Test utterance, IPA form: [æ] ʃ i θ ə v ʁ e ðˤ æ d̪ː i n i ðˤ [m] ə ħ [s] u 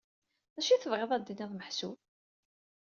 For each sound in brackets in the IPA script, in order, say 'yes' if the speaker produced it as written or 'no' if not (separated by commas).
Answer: yes, yes, yes